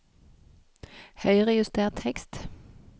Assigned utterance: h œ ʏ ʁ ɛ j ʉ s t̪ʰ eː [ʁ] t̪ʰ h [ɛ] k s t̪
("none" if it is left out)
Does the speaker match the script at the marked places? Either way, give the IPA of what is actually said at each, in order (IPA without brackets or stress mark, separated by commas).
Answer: ʁ, ɛ